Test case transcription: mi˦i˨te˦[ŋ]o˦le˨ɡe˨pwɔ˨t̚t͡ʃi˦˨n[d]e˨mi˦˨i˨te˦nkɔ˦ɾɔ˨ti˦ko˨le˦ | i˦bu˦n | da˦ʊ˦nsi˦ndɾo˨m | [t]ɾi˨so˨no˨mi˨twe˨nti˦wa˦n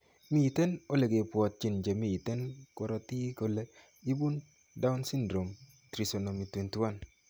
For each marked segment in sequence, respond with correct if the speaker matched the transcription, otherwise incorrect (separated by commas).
incorrect, incorrect, correct